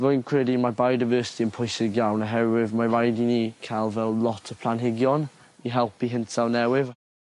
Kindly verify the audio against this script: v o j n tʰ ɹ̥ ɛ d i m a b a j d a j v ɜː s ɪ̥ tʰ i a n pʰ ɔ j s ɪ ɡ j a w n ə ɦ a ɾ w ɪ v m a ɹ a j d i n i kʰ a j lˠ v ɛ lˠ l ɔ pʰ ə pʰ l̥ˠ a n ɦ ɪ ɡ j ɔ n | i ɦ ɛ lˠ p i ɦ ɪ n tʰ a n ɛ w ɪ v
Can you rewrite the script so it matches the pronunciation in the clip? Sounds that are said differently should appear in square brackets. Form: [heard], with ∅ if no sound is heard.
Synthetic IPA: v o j n [kʰ] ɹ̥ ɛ d i m a b a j d a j v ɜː s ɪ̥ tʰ i [ə] n pʰ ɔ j s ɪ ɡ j a w n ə ɦ [ɛ] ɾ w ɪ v m a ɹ a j d i n i kʰ a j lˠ v ɛ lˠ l ɔ [tʰ] ə pʰ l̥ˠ a n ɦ ɪ ɡ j ɔ n | i ɦ ɛ lˠ p i ɦ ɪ n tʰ a n ɛ w ɪ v

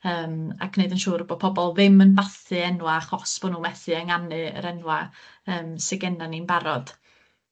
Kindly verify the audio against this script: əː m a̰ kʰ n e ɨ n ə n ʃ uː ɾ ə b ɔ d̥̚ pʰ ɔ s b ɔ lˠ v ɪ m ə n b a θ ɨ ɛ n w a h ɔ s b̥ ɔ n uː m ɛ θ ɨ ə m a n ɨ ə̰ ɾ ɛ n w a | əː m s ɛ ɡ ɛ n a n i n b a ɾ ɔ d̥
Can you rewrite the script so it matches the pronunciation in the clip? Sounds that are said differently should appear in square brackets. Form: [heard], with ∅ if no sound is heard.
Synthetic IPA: əː m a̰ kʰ n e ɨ [d] ə n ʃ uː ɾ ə b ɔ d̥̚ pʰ ɔ [∅] b ɔ lˠ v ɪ m ə n b a θ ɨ ɛ n w a [χ] ɔ s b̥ ɔ n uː m ɛ θ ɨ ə [ŋ] a n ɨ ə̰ ɾ ɛ n w a | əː m s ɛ ɡ ɛ n a n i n b a ɾ ɔ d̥

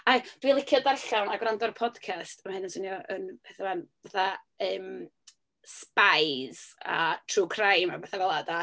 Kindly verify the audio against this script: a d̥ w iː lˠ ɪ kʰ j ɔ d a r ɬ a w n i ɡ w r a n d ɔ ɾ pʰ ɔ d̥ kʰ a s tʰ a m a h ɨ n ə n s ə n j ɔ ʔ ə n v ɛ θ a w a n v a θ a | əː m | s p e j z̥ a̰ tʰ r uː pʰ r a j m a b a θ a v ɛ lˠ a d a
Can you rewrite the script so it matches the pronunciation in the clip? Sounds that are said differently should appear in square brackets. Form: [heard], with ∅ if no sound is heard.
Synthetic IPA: a d̥ w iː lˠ ɪ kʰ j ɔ d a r ɬ a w n [a] ɡ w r a n d ɔ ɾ pʰ ɔ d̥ kʰ a s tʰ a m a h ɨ n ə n s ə n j ɔ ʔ ə n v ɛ θ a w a n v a θ a | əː m | s p [a] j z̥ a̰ tʰ r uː [kʰ] r a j m a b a θ a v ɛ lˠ a d a

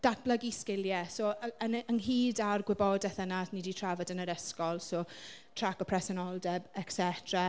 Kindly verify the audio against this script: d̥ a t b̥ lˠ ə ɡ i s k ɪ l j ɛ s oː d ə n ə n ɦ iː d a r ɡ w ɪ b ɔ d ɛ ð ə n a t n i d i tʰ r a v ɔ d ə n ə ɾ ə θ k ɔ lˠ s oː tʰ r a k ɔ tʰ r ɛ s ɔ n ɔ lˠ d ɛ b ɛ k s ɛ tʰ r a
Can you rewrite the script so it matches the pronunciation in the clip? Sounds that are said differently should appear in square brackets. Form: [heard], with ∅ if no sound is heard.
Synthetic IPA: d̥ a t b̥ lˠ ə ɡ i s k ɪ l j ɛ s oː [∅] ə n ə n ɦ iː d a r ɡ w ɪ b ɔ d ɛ [θ] ə n a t n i d i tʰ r a v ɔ d ə n ə ɾ ə [s] k ɔ lˠ s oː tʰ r a k ɔ [pʰ] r ɛ s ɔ n ɔ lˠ d ɛ b ɛ k s ɛ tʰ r a

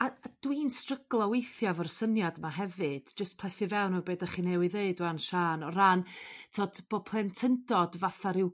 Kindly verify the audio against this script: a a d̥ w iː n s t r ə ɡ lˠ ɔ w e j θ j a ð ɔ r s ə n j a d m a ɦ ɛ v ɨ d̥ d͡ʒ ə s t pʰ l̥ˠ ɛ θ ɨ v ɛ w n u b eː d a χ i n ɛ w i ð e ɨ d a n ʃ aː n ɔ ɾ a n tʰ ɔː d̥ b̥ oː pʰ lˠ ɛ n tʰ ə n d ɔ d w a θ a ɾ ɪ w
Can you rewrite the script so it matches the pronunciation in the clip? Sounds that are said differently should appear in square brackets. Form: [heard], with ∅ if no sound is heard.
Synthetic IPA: a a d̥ w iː n s t r ə ɡ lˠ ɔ w e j θ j a [v] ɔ r s ə n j a d m a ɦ ɛ v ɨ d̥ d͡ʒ ə s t pʰ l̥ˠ ɛ θ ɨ v ɛ w n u b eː d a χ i n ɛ w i ð e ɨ d a n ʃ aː n ɔ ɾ a n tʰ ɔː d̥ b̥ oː pʰ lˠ ɛ n tʰ ə n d ɔ d [v] a θ a ɾ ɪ w

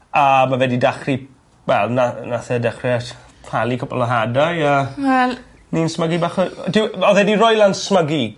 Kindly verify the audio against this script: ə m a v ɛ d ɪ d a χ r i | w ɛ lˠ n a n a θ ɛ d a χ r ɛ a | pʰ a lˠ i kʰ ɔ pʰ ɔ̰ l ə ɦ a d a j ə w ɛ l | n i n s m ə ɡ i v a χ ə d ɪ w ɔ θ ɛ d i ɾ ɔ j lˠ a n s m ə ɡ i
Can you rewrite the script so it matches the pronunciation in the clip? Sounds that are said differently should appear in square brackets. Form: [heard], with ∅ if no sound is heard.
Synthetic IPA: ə m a v ɛ d [i] d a χ r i | w ɛ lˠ n a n a θ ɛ d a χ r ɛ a | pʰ a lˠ i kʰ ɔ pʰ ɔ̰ l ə ɦ a d a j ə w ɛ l | n i n s m ə ɡ i [b] a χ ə d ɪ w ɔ [ð] ɛ d i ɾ ɔ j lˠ a n s m ə ɡ i

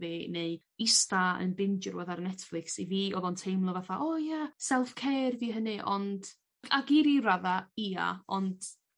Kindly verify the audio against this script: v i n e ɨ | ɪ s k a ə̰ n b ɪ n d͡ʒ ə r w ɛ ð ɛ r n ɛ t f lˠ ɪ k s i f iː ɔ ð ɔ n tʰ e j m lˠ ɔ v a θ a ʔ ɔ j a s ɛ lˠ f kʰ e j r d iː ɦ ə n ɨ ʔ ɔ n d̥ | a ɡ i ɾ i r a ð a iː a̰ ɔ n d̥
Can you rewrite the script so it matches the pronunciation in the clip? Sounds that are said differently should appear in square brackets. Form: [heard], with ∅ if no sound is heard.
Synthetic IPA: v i n e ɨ | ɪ s [t] a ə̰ n b ɪ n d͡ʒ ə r w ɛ ð [a] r n ɛ t f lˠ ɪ k s i [v] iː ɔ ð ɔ n tʰ e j m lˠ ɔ v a θ a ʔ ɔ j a s ɛ lˠ f kʰ e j r d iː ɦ ə n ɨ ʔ ɔ n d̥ | a ɡ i ɾ i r a ð a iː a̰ ɔ n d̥

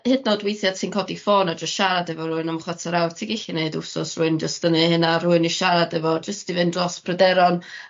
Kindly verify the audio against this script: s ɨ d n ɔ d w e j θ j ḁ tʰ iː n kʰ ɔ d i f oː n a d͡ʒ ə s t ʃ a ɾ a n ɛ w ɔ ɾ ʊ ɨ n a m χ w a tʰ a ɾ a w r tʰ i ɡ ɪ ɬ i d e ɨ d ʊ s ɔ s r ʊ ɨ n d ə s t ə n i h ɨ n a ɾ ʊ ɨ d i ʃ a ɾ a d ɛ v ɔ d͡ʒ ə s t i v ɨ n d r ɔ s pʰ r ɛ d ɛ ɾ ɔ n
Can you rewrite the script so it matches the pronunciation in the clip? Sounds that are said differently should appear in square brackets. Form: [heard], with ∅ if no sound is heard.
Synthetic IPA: [h] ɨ d n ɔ d w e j θ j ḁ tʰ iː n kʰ ɔ d i f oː n a d͡ʒ ə s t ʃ a ɾ a [d] ɛ [v] ɔ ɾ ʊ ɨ n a m χ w a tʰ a ɾ a w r tʰ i ɡ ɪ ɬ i [n] e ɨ d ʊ s ɔ s r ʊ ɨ n [d͡ʒ] ə s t ə n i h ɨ n a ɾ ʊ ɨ [n] i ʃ a ɾ a d ɛ v ɔ d͡ʒ ə s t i v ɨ n d r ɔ s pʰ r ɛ d ɛ ɾ ɔ n

